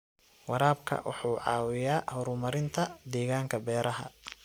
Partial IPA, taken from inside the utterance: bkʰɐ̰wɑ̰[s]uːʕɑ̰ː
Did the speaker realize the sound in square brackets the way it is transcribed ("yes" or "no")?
no